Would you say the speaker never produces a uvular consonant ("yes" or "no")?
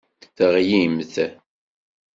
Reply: no